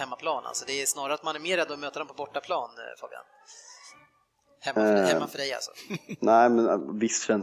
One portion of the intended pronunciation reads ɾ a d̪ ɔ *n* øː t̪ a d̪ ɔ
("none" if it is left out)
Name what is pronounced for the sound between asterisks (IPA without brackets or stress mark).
m